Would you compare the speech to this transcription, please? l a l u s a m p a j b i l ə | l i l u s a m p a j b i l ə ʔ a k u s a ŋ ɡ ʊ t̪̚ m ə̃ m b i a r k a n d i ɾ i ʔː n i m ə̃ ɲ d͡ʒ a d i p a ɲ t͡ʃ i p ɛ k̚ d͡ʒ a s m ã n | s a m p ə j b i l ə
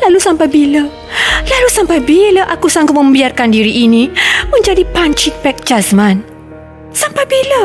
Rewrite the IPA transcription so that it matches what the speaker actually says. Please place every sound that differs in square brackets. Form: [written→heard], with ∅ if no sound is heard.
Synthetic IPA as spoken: l a l u s a m p a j b i l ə | l [i→a] l u s a m p a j b i l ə ʔ a k u s a ŋ ɡ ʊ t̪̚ m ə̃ m b i a r k a n d i ɾ i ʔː n i m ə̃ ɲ d͡ʒ a d i p a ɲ t͡ʃ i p ɛ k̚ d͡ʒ a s m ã n | s a m p [ə→a] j b i l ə